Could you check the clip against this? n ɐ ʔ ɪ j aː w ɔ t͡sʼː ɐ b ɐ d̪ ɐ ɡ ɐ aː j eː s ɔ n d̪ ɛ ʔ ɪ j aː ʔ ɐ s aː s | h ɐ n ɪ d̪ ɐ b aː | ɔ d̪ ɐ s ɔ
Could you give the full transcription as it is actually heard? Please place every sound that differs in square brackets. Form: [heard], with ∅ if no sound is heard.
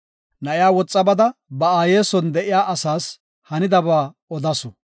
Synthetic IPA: n ɐ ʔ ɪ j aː w ɔ t͡sʼː ɐ b ɐ d̪ ɐ [b] ɐ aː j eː s ɔ n d̪ ɛ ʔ ɪ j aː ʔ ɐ s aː s | h ɐ n ɪ d̪ ɐ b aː | ɔ d̪ ɐ s ɔ

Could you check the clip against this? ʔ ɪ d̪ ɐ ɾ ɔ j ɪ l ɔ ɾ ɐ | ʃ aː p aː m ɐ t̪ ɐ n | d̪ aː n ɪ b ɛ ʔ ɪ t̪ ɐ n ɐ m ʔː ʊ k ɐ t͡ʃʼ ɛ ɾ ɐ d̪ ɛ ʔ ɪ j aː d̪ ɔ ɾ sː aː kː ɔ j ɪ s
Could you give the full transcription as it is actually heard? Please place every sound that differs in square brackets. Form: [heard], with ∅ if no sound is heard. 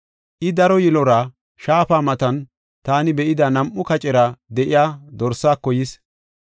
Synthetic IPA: ʔ ɪ d̪ ɐ ɾ ɔ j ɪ l ɔ ɾ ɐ | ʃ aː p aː m ɐ t̪ ɐ n | [t̪] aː n ɪ b ɛ ʔ ɪ [d̪] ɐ n ɐ m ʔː ʊ k ɐ t͡ʃʼ ɛ ɾ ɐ d̪ ɛ ʔ ɪ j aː d̪ ɔ ɾ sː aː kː ɔ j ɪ s

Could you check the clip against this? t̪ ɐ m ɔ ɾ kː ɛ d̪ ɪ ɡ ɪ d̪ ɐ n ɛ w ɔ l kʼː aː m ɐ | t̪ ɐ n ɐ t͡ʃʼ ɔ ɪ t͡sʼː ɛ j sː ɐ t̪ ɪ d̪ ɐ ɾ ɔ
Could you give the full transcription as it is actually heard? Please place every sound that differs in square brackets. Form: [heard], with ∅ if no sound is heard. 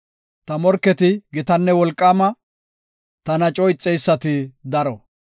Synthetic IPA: t̪ ɐ m ɔ ɾ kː ɛ [t̪] ɪ ɡ ɪ [t̪] ɐ [nː] ɛ w ɔ l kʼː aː m ɐ | t̪ ɐ n ɐ t͡ʃʼ ɔ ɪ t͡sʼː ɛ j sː ɐ t̪ ɪ d̪ ɐ ɾ ɔ

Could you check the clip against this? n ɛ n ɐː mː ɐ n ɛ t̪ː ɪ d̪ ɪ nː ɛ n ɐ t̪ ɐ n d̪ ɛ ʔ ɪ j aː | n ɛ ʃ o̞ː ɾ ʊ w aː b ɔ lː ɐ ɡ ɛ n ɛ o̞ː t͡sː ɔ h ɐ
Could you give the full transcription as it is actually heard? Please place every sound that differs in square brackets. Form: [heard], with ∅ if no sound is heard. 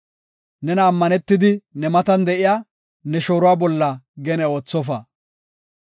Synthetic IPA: n ɛ n ɐː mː ɐ n ɛ t̪ː ɪ d̪ ɪ [n] ɛ [m] ɐ t̪ ɐ n d̪ ɛ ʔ ɪ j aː | n ɛ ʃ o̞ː ɾ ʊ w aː b ɔ lː ɐ ɡ ɛ n ɛ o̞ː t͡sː ɔ [f] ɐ

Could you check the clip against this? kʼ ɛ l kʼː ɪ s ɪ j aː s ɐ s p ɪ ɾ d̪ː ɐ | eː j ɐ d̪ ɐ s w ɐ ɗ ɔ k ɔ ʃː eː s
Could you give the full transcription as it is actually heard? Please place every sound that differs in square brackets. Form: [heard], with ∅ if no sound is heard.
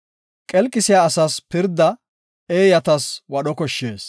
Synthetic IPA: kʼ ɛ l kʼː ɪ s ɪ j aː s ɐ s p ɪ ɾ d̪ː ɐ | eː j ɐ [t̪] ɐ s w ɐ ɗ ɔ k ɔ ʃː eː s

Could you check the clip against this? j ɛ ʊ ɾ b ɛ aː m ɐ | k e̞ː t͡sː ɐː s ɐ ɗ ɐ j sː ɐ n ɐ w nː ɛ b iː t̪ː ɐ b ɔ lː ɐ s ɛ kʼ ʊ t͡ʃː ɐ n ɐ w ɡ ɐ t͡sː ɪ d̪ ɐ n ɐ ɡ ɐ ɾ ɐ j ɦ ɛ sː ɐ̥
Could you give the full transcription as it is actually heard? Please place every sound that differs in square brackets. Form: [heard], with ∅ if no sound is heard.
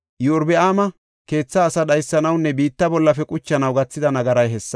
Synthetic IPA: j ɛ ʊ ɾ b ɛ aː m ɐ | k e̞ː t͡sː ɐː s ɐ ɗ ɐ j sː ɐ n ɐ w nː ɛ b iː t̪ː ɐ b ɔ lː ɐ [f] ɛ kʼ ʊ t͡ʃː ɐ n ɐ w ɡ ɐ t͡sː ɪ d̪ ɐ n ɐ ɡ ɐ ɾ ɐ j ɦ ɛ sː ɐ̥

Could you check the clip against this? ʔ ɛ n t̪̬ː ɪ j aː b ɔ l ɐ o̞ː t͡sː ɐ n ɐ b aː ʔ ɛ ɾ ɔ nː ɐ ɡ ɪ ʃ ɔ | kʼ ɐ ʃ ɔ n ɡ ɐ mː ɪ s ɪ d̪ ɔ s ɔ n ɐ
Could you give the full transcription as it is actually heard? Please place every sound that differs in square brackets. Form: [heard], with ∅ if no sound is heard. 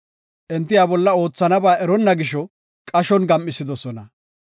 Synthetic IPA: ʔ ɛ n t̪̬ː ɪ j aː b ɔ [lː] ɐ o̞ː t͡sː ɐ n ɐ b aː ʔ ɛ ɾ ɔ nː ɐ ɡ ɪ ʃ ɔ | kʼ ɐ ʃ ɔ n ɡ ɐ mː ɪ s ɪ d̪ ɔ s ɔ n ɐ

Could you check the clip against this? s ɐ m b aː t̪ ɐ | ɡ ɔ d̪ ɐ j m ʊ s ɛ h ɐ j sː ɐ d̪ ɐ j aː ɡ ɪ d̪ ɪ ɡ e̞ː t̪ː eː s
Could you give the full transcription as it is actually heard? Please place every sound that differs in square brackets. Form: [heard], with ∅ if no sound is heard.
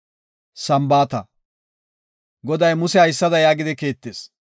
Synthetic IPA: s ɐ m b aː t̪ ɐ | ɡ ɔ d̪ ɐ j m ʊ s ɛ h ɐ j sː ɐ d̪ ɐ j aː ɡ ɪ d̪ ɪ [k] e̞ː t̪ː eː s

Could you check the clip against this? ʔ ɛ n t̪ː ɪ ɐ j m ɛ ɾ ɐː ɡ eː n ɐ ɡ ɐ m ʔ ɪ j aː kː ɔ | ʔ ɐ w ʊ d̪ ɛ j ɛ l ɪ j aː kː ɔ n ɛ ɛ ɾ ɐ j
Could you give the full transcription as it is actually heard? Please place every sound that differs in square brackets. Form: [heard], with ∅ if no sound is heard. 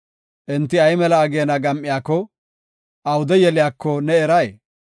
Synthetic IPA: ʔ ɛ n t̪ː ɪ ɐ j m ɛ [l] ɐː ɡ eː n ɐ ɡ ɐ m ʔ ɪ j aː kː ɔ | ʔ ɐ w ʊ d̪ ɛ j ɛ l ɪ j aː kː ɔ n ɛ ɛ ɾ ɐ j

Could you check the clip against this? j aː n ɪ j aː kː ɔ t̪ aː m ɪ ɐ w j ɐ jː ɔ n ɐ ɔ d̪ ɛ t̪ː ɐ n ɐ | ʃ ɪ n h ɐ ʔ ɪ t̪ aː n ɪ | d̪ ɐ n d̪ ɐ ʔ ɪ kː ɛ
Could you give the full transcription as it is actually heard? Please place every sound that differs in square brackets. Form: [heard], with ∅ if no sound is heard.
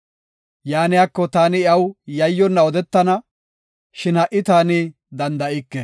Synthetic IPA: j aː n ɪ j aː kː ɔ t̪ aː [n] ɪ ɐ w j ɐ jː ɔ [nː] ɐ ɔ d̪ ɛ t̪ː ɐ n ɐ | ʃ ɪ n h ɐ ʔ ɪ t̪ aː n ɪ | d̪ ɐ n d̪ ɐ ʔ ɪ kː ɛ

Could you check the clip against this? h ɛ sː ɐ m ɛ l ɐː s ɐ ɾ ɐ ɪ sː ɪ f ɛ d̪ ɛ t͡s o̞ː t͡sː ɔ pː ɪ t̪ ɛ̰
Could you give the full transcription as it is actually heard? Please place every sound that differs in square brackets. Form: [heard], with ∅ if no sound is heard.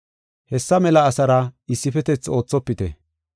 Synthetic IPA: h ɛ sː ɐ m ɛ l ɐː s ɐ ɾ ɐ ɪ sː ɪ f ɛ [t̪] ɛ t͡s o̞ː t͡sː ɔ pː ɪ t̪ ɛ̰

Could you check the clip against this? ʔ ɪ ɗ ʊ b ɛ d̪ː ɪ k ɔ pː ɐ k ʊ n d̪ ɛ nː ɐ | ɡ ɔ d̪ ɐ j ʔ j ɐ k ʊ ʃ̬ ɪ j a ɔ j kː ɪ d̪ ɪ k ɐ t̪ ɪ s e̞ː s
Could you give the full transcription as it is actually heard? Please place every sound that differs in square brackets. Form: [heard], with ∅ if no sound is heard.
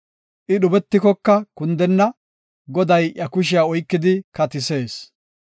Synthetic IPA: ʔ ɪ ɗ ʊ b ɛ [t̪ː] ɪ k ɔ [kː] ɐ k ʊ n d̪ ɛ nː ɐ | ɡ ɔ d̪ ɐ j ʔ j ɐ k ʊ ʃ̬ ɪ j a ɔ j kː ɪ d̪ ɪ k ɐ t̪ ɪ s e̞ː s

